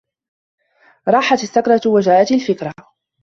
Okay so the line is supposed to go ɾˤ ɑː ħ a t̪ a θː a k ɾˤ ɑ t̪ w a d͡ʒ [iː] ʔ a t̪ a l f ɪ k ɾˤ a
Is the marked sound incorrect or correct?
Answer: incorrect